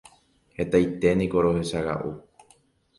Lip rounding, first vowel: unrounded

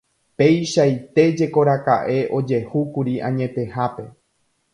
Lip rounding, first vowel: unrounded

